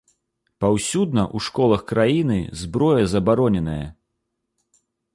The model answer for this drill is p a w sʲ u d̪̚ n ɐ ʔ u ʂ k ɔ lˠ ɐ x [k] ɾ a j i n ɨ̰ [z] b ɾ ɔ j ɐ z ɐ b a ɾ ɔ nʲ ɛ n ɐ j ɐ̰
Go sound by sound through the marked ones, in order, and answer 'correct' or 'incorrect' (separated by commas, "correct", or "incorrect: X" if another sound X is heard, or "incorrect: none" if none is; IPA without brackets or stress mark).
correct, correct